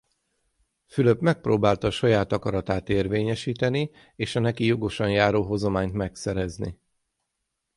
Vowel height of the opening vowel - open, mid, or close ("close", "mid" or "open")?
close